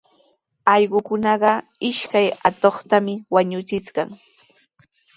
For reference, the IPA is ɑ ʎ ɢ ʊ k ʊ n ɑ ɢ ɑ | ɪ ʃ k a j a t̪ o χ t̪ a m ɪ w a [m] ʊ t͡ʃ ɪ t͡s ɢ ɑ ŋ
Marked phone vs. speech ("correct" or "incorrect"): incorrect